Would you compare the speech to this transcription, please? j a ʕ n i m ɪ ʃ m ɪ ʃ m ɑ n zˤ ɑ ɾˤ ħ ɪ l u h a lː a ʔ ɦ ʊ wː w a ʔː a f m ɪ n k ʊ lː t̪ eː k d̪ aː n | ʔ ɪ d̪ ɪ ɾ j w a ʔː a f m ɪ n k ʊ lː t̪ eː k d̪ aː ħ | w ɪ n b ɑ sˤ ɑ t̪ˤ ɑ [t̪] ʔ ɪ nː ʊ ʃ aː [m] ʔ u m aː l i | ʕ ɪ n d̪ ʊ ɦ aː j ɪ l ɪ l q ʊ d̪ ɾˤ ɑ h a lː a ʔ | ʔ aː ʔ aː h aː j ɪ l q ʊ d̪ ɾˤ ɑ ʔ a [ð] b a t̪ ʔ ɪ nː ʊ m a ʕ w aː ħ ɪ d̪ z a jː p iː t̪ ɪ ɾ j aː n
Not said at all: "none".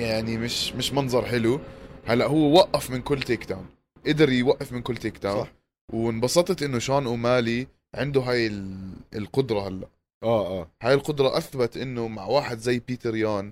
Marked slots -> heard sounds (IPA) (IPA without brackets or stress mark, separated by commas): t̪, n, θ